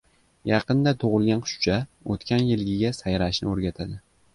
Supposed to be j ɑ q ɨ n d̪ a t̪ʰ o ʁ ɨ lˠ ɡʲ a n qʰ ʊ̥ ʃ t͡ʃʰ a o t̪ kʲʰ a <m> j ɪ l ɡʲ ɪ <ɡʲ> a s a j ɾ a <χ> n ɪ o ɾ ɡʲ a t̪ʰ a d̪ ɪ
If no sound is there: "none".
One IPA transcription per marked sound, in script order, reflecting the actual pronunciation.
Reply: n, ɡʲ, ʃ

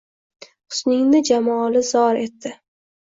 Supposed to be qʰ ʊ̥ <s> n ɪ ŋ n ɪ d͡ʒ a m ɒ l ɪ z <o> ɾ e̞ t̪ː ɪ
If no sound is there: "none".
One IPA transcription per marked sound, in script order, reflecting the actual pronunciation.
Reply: s, ɒ

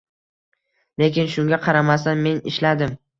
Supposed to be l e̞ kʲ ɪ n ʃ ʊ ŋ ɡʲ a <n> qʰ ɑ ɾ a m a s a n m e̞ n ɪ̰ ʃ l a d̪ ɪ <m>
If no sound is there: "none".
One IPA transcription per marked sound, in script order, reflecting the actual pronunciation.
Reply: none, m

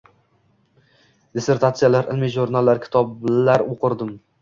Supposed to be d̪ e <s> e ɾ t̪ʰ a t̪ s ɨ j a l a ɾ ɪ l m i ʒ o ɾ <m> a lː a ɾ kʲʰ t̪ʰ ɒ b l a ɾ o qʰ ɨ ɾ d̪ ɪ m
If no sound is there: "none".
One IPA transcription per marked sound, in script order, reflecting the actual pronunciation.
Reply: s, n

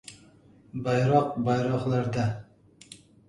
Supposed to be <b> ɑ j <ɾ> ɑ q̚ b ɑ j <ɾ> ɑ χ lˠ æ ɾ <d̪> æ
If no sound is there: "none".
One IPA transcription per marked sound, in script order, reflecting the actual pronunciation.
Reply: b, ɾ, ɾ, d̪

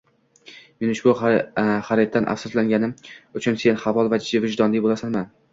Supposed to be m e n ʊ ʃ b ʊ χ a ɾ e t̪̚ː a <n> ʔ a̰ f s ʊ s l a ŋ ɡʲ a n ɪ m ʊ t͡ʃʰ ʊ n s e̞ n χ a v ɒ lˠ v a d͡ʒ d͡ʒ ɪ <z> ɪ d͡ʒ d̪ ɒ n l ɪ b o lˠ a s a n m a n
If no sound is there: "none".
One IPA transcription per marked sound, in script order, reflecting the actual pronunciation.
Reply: n, v

